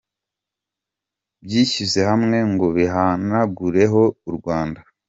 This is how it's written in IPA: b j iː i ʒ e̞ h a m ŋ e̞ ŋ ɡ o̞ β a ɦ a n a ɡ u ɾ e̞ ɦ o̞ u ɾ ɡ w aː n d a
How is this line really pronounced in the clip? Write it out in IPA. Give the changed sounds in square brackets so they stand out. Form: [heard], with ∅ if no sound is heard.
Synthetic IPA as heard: b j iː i [z] e̞ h a m ŋ e̞ ŋ ɡ o̞ β [i] ɦ a n a ɡ u ɾ e̞ ɦ o̞ u ɾ ɡ w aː n d a